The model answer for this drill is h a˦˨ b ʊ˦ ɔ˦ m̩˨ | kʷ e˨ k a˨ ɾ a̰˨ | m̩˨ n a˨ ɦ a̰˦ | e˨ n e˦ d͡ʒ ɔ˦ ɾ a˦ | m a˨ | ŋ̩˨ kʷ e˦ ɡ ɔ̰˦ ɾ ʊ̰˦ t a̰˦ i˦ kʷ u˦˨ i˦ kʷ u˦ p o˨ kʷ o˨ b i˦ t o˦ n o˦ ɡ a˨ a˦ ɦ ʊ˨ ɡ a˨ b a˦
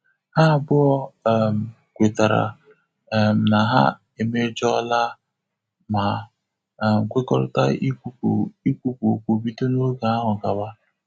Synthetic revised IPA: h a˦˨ b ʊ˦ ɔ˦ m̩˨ | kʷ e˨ t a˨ ɾ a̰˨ | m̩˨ n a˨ ɦ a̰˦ | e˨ m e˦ d͡ʒ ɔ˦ l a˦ | m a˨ | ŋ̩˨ kʷ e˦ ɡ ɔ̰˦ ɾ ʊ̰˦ t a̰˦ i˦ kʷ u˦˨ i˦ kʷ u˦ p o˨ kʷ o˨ b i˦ t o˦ n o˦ ɡ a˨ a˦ ɦ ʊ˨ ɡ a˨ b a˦

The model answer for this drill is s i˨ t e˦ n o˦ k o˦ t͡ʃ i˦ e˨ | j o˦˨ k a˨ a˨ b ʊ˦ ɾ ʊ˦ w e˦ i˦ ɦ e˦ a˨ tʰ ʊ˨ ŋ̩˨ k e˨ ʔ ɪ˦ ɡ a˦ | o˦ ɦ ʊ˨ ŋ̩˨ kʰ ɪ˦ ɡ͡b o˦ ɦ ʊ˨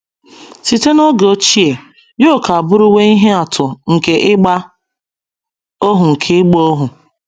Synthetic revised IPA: s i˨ t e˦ n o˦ ɡ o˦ t͡ʃ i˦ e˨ | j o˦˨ k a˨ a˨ b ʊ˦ ɾ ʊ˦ w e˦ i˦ ɦ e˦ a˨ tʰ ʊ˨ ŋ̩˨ k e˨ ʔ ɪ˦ ɡ͡b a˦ | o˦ ɦ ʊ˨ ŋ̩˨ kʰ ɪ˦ ɡ͡b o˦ ɦ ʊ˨

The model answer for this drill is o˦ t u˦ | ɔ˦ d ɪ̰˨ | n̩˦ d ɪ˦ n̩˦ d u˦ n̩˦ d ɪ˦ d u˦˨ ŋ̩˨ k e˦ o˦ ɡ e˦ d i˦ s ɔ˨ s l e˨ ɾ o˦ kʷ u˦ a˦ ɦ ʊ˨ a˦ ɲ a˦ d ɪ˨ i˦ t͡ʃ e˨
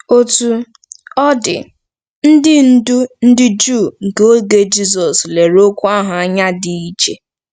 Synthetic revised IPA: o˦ t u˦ | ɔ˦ d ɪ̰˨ | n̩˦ d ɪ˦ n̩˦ d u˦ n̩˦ d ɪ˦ d͡ʒ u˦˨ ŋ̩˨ k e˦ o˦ ɡ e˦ d͡ʒ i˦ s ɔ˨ s l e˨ ɾ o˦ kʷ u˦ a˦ ɦ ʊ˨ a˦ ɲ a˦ d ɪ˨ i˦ t͡ʃ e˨

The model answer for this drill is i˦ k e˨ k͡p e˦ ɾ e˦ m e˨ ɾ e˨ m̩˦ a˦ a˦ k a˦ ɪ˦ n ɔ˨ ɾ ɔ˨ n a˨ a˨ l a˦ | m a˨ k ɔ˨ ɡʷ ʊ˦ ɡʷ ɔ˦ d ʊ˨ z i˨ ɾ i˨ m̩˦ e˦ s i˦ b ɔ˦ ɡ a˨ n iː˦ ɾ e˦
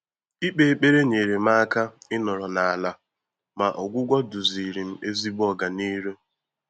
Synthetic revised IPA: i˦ k͡p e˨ k͡p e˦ ɾ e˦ ɲ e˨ ɾ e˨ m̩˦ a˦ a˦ k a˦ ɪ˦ n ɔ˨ ɾ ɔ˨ n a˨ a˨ l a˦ | m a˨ ʔ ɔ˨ ɡʷ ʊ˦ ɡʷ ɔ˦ d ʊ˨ z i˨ ɾ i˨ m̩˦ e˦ z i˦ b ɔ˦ ɡ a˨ n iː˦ ɾ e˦

